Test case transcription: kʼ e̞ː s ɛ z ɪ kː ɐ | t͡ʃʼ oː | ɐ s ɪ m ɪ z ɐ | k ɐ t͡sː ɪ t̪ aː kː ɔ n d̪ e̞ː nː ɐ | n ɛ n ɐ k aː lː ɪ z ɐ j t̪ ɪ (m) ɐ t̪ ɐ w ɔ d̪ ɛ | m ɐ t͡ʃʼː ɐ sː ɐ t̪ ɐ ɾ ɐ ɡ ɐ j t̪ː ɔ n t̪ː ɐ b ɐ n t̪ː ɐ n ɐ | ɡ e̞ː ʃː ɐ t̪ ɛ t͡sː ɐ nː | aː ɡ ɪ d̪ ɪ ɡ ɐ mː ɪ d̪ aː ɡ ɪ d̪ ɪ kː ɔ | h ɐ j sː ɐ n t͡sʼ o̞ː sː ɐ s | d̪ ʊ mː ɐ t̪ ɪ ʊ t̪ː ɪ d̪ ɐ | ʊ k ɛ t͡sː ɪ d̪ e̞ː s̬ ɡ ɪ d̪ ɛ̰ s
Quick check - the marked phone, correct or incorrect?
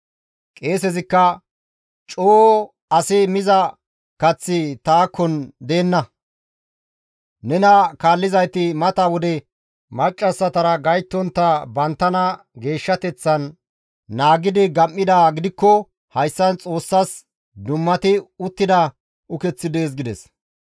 correct